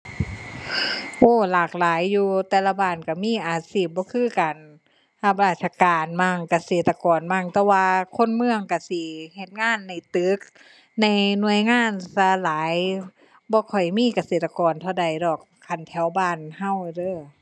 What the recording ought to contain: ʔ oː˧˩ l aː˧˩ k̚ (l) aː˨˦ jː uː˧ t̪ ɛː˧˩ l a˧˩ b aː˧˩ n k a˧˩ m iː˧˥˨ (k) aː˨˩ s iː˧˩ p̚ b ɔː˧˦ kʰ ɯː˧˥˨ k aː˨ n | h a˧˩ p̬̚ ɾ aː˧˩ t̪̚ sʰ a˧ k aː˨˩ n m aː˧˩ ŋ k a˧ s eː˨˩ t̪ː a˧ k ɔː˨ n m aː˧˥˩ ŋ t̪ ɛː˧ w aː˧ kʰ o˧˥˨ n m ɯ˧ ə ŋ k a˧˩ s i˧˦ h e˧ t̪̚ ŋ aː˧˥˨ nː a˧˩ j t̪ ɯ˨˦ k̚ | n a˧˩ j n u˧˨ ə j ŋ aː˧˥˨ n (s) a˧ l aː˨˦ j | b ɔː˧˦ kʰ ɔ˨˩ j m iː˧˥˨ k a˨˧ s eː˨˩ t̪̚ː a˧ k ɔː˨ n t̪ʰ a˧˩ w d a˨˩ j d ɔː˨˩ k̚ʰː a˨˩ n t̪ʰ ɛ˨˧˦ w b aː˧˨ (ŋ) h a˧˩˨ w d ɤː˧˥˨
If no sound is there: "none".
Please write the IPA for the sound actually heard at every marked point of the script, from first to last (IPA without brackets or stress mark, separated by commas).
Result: l, ʔ, s, n